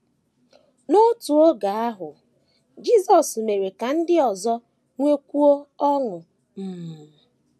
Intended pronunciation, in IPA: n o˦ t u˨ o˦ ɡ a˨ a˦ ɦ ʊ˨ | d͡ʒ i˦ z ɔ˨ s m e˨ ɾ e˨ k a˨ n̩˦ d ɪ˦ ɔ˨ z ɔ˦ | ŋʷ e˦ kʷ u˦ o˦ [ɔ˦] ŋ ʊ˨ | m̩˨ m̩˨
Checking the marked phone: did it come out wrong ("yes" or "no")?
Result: no